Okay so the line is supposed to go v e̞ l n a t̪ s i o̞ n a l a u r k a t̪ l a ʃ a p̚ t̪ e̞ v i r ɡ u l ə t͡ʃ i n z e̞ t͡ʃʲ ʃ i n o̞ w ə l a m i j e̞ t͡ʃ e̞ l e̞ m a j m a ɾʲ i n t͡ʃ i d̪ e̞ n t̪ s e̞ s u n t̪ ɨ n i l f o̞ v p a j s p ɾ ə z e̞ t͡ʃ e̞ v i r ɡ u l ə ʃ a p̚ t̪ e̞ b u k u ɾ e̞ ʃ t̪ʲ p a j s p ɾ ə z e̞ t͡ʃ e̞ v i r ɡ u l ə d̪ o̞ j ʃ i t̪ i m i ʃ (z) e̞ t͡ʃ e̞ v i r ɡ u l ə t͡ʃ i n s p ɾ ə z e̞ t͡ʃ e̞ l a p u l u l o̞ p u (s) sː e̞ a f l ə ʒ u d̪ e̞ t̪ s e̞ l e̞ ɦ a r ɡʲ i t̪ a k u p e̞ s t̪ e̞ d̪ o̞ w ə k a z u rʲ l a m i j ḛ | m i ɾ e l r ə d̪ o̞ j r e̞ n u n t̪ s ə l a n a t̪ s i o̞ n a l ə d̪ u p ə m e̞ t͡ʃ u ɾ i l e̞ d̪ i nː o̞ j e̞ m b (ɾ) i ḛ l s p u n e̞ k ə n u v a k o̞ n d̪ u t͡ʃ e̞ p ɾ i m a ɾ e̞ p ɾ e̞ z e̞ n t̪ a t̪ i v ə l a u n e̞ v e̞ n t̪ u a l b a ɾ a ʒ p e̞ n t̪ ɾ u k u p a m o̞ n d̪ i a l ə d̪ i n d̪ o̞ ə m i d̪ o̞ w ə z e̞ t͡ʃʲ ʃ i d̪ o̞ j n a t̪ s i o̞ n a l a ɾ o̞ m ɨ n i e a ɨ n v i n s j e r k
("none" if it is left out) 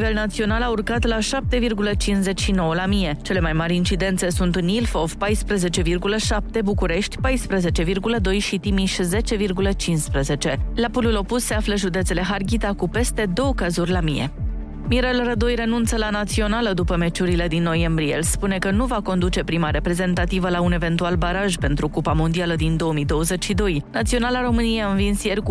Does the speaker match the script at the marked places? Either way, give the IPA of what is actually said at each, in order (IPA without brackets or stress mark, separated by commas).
z, s, ɾ